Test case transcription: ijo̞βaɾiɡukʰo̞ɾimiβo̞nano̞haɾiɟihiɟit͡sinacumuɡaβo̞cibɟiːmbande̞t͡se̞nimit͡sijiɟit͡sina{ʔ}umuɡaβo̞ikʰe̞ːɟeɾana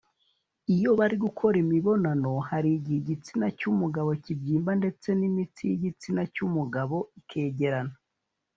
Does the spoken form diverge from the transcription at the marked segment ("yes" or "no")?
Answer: yes